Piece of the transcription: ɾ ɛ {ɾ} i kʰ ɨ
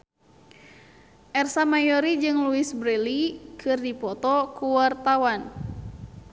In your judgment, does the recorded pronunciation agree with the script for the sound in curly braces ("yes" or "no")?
no